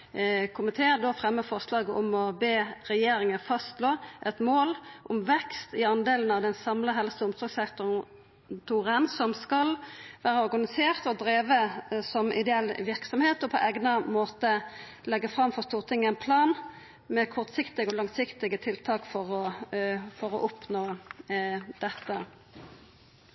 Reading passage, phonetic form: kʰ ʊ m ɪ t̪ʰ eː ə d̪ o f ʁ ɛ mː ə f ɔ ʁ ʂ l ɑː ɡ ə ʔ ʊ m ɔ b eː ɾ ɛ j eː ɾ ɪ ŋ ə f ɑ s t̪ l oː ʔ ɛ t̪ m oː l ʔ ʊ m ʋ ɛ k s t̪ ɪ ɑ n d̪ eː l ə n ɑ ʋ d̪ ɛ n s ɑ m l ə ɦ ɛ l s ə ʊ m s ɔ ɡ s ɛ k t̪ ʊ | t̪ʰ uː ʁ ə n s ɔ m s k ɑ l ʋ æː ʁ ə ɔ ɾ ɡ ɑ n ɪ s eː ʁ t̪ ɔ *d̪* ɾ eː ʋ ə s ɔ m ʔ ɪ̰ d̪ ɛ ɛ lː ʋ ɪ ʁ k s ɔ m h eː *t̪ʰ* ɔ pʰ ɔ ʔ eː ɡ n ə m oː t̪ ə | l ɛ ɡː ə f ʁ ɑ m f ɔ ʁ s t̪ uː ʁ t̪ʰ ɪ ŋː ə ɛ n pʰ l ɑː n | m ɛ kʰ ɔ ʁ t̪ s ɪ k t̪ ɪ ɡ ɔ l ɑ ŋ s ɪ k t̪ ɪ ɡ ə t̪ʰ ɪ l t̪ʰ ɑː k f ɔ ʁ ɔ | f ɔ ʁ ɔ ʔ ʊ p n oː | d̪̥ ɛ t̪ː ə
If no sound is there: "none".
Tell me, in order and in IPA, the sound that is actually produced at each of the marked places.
d̪, t̪

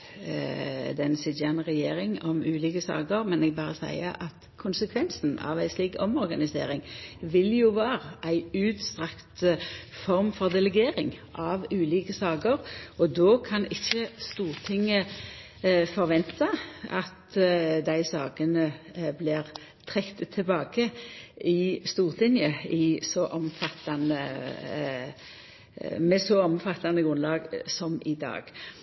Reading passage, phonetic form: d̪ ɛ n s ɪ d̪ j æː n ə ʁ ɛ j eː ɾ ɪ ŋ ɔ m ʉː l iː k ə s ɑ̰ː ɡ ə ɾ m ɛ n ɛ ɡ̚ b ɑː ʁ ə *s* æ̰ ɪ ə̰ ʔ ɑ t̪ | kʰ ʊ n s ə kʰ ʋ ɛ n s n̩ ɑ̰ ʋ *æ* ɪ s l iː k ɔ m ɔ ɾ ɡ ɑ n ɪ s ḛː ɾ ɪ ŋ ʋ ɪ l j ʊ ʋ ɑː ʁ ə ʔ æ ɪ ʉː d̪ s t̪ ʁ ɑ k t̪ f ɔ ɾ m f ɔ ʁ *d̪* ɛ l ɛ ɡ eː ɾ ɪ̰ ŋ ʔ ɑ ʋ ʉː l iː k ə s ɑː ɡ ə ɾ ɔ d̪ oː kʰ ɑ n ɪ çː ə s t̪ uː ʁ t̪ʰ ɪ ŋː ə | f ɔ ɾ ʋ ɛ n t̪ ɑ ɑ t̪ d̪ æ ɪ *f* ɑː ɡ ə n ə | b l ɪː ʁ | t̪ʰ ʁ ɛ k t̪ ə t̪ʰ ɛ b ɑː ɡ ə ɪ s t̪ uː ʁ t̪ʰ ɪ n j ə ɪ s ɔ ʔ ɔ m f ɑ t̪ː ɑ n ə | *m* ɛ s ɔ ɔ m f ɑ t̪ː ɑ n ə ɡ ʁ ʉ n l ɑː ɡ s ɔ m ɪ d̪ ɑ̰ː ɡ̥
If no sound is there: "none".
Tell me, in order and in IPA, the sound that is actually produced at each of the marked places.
s, æ, d̪, s, m

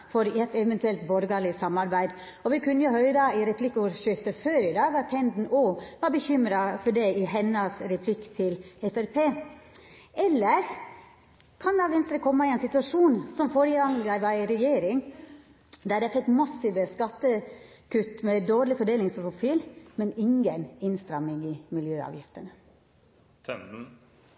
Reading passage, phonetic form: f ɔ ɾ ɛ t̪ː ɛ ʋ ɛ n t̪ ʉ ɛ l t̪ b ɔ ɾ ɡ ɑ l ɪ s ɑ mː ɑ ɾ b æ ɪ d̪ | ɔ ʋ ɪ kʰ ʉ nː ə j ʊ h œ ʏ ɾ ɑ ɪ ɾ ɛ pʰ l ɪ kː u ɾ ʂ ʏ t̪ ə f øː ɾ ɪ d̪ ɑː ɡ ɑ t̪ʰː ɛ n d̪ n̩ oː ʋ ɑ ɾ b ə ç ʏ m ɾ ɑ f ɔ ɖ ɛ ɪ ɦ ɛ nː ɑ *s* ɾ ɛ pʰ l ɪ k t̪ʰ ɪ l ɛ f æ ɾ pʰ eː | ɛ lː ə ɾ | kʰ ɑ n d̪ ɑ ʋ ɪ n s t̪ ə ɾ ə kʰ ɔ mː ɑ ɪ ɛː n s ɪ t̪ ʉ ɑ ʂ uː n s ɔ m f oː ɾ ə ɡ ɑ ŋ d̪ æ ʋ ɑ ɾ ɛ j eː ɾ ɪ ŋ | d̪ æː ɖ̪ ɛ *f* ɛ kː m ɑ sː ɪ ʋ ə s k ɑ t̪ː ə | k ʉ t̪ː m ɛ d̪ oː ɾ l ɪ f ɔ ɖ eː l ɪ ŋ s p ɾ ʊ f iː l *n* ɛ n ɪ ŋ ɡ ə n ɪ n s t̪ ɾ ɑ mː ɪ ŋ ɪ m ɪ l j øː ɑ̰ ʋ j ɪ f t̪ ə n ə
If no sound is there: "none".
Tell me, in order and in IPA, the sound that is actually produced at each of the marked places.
s, f, m

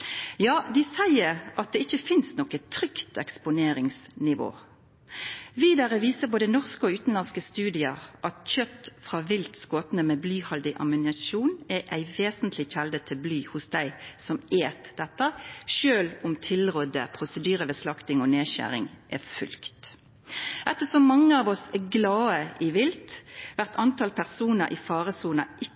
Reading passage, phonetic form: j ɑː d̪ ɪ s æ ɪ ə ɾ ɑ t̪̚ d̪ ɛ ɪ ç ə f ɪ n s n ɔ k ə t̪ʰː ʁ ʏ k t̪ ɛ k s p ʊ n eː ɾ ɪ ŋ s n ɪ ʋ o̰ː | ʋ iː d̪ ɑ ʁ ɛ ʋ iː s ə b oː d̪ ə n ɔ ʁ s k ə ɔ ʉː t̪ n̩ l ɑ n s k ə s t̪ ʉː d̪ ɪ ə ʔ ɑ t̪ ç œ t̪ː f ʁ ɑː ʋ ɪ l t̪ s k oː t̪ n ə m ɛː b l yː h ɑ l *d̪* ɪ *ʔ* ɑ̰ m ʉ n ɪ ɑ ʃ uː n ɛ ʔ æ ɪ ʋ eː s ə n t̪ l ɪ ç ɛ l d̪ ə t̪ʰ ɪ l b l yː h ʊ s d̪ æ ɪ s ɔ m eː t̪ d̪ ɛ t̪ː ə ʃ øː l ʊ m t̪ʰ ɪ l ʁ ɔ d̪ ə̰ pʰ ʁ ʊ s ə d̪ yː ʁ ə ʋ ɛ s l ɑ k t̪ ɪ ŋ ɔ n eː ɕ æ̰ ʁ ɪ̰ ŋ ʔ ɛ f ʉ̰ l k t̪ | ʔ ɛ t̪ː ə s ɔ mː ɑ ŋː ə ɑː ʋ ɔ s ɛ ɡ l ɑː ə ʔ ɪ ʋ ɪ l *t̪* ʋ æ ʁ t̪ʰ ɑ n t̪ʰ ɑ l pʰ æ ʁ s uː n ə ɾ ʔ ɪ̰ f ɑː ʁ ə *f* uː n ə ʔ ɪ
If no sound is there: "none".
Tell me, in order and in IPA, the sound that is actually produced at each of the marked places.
d̪, ʔ, t̪, s

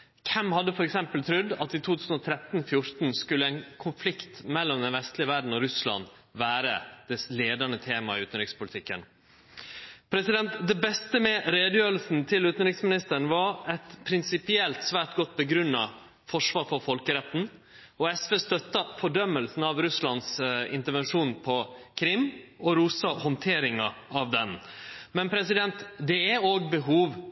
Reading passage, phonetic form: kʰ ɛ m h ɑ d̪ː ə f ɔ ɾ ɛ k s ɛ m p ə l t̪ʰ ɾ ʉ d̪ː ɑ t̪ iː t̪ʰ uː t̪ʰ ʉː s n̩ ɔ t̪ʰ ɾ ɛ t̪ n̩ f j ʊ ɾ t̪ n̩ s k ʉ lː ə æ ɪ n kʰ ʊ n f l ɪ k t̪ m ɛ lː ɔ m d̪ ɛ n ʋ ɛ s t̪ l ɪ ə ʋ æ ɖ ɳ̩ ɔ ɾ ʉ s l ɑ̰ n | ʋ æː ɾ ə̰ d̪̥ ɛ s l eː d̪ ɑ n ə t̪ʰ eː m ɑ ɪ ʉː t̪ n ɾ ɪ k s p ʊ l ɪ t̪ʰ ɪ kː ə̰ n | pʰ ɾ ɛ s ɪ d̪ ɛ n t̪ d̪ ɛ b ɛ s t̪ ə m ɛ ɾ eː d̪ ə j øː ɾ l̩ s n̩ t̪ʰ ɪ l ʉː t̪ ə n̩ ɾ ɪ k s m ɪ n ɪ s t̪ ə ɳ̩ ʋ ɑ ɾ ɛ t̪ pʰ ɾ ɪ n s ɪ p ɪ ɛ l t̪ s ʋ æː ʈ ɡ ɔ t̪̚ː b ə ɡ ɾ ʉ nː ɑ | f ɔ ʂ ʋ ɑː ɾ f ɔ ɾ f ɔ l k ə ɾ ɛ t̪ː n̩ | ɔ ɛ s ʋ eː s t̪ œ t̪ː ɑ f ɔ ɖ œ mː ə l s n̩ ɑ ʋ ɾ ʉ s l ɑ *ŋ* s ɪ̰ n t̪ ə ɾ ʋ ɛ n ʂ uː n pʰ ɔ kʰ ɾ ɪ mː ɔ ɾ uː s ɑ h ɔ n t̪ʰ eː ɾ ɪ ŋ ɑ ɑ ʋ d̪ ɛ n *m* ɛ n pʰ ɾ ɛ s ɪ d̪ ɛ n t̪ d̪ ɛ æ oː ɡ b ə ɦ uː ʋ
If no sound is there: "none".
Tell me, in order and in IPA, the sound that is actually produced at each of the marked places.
n, m

